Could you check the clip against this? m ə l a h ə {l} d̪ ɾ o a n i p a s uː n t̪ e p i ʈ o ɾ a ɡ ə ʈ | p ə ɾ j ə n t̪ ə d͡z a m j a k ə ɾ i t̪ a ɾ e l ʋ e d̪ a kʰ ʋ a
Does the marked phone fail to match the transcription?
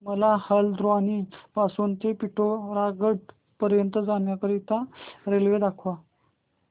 no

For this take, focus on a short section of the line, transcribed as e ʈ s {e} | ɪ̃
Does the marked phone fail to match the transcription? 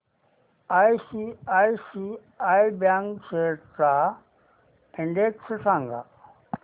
yes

